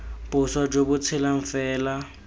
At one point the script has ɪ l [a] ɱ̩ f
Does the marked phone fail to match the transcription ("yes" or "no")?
no